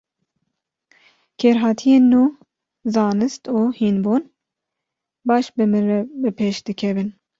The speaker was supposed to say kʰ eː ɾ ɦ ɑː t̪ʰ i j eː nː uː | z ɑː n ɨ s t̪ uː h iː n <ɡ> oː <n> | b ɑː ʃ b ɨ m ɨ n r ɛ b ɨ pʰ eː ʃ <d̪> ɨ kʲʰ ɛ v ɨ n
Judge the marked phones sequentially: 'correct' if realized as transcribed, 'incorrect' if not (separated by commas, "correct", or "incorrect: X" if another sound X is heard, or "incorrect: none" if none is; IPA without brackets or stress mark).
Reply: incorrect: b, correct, correct